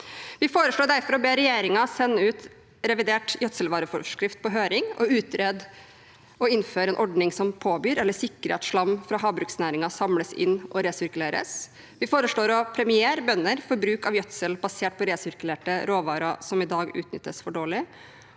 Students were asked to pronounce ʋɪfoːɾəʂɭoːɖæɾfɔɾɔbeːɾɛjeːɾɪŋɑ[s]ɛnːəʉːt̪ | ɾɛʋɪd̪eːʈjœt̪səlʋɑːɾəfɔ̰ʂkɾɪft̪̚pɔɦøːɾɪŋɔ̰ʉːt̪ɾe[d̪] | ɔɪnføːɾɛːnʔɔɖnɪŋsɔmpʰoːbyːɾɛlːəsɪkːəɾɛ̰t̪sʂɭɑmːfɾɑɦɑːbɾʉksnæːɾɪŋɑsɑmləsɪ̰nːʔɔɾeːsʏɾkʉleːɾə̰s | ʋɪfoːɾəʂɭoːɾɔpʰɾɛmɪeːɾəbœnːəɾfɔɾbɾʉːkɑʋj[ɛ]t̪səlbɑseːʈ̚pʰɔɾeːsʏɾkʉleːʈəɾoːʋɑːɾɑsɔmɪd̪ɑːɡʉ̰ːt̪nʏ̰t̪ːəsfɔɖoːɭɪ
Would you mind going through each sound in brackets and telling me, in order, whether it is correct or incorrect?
correct, correct, incorrect

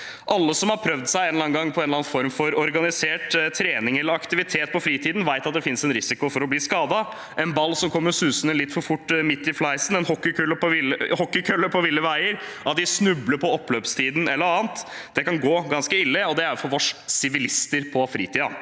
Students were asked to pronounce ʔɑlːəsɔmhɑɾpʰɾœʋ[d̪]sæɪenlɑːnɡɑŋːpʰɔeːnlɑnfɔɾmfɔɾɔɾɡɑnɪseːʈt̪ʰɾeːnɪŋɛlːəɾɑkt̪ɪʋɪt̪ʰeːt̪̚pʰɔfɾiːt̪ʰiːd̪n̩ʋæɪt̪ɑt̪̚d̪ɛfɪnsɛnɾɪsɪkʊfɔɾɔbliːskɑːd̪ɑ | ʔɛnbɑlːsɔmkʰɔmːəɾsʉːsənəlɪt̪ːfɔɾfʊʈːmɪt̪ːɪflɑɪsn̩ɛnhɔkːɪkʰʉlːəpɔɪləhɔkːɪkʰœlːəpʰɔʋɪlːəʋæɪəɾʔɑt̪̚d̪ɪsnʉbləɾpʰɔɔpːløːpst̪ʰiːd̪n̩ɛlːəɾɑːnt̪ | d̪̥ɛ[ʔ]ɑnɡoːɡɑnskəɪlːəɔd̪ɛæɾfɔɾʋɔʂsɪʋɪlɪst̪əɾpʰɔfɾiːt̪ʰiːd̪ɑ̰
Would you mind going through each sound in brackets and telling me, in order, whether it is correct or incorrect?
correct, incorrect

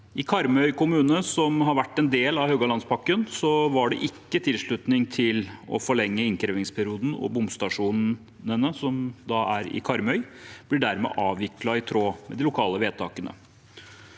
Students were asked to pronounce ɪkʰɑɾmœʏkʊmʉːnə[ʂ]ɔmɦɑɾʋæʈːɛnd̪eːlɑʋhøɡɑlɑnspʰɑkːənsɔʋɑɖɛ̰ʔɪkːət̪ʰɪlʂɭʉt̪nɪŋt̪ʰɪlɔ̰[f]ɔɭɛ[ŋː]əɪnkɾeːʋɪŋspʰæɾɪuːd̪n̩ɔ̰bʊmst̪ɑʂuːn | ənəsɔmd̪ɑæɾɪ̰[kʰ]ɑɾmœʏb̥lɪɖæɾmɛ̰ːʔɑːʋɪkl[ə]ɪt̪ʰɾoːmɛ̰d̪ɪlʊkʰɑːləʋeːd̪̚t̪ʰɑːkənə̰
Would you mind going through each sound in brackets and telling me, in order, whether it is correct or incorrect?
incorrect, correct, correct, correct, incorrect

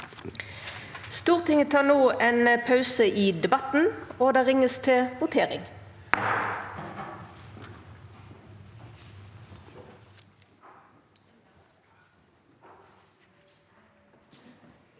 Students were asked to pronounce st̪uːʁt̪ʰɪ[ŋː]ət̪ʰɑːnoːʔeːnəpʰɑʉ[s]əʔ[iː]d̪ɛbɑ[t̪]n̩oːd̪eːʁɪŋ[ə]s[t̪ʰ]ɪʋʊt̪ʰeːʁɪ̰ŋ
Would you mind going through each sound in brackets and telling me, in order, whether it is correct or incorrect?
incorrect, correct, correct, correct, correct, correct

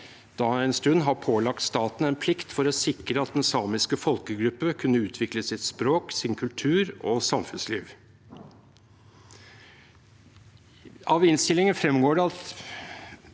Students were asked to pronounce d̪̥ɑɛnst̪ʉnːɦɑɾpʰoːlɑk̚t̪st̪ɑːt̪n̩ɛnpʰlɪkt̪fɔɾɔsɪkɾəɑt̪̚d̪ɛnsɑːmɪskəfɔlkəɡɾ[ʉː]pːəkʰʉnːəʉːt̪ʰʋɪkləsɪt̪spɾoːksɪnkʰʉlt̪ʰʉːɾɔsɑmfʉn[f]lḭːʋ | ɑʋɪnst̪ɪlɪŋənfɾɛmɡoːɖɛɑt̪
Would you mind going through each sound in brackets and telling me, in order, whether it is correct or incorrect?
incorrect, incorrect

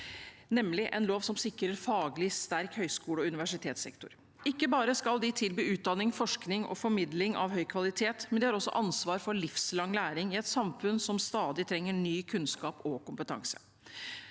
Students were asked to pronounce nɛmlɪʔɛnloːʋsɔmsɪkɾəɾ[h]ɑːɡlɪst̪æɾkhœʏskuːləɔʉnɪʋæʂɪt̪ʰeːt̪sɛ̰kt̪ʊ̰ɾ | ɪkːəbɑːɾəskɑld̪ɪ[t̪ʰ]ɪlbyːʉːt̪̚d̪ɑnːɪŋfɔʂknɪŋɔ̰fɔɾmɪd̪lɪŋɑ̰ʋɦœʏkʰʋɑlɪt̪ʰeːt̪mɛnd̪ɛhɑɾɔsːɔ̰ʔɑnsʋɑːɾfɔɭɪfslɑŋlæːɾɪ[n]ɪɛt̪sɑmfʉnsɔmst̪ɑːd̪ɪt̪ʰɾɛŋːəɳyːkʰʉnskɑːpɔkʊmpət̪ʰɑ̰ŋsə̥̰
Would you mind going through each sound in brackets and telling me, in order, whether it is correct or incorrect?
incorrect, correct, incorrect

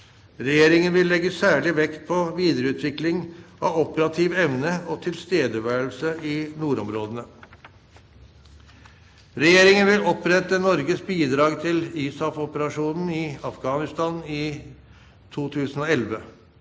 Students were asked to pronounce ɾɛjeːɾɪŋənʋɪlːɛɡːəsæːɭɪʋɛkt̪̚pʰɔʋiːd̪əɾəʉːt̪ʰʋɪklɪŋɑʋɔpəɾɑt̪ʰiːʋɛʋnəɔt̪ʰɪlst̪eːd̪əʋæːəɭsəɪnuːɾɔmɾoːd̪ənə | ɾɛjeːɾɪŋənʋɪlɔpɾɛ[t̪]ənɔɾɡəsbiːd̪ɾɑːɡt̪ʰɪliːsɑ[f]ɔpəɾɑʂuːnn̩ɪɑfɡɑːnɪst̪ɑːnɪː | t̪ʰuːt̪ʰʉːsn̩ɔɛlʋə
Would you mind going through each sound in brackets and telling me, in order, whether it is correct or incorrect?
correct, correct

